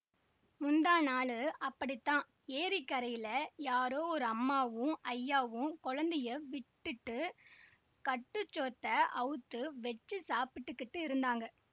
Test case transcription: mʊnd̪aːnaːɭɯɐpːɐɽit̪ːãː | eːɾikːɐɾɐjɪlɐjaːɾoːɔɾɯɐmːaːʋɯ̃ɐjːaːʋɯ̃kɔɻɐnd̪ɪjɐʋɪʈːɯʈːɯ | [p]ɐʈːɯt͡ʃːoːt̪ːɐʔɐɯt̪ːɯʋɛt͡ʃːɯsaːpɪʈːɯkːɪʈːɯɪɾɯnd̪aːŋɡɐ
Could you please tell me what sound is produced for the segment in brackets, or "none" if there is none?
k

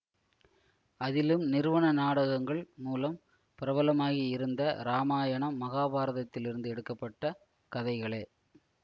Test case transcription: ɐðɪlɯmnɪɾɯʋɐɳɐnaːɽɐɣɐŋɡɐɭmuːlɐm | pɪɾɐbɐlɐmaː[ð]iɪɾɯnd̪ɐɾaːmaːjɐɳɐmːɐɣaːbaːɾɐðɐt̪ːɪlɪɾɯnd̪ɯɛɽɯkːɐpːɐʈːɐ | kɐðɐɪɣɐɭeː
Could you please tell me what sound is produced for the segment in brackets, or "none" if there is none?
ɣ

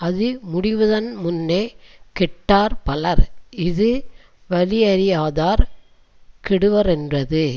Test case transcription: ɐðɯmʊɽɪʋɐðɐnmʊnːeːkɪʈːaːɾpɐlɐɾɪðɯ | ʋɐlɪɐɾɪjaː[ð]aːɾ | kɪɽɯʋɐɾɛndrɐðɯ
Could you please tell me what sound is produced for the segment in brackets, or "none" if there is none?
ð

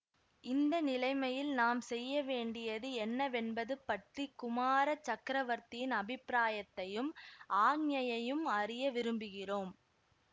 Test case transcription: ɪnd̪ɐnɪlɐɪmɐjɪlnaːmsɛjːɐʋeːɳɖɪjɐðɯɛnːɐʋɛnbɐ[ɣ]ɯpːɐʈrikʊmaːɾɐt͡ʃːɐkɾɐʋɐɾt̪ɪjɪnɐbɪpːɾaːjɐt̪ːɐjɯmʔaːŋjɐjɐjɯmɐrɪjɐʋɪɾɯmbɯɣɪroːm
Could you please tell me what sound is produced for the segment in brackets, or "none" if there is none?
ð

